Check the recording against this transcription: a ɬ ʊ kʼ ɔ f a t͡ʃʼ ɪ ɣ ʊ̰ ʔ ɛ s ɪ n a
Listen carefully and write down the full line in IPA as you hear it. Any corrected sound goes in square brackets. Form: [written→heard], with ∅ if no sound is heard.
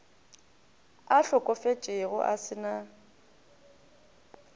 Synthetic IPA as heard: a ɬ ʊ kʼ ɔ f [a→e] t͡ʃʼ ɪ ɣ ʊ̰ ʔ [ɛ→a] s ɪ n a